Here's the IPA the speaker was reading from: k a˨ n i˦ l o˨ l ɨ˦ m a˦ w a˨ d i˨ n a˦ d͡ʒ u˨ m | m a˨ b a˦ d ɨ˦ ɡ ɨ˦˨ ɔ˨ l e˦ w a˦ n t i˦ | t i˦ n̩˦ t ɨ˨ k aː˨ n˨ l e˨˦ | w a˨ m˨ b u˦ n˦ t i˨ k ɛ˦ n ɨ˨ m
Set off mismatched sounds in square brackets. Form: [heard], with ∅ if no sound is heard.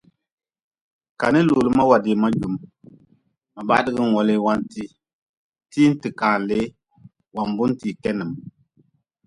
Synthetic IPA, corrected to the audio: k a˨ n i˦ l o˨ l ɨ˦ m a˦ w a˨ d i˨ [m] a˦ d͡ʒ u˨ m | m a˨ b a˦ d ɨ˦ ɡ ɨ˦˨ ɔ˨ l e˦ w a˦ n t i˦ | t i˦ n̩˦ t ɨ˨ k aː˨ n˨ l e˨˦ | w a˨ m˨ b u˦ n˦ t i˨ k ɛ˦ n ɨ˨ m